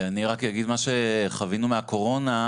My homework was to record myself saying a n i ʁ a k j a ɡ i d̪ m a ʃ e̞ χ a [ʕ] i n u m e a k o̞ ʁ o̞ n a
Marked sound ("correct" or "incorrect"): incorrect